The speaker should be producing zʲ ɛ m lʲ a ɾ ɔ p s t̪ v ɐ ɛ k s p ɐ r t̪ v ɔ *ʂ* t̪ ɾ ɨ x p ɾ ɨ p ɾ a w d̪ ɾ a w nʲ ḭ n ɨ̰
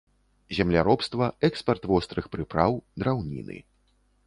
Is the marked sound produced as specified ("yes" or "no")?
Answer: no